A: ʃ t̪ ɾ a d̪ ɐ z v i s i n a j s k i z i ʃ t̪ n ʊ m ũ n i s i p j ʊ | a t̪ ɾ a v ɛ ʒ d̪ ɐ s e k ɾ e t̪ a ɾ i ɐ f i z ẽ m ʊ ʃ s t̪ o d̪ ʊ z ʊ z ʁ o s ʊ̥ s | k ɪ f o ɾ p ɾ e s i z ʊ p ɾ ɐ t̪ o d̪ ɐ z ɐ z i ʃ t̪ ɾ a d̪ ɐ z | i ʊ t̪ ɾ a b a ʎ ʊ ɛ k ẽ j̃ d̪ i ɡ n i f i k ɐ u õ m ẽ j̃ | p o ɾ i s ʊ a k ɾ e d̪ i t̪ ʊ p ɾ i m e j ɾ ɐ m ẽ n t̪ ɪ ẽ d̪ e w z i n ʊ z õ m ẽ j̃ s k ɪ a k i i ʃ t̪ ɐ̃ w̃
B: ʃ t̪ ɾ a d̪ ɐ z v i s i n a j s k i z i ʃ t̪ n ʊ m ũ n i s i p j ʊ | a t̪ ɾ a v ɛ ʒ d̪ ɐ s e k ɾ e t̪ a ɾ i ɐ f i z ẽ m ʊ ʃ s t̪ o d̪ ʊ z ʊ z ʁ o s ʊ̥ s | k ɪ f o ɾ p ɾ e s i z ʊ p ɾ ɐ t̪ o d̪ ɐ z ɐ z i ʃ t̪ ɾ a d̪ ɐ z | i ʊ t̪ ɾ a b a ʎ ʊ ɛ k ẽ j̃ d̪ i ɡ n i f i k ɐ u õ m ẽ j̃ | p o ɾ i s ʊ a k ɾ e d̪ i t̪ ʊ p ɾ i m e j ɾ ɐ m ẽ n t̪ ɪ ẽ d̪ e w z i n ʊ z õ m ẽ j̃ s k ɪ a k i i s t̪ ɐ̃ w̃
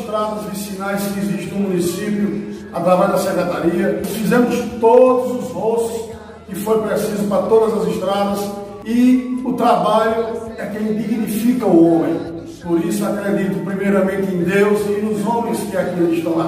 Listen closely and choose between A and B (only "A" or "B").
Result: A